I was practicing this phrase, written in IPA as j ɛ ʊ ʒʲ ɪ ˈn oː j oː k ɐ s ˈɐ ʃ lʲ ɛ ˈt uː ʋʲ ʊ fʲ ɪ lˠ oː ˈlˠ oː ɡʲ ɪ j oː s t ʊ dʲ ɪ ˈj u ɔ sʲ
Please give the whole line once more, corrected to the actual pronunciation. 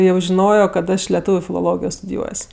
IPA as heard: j ɛ ʊ ʒʲ ɪ ˈn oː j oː k ɐ t ˈɐ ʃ lʲ ɛ ˈt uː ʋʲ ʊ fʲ ɪ lˠ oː ˈlˠ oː ɡʲ ɪ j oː s t ʊ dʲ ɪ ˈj u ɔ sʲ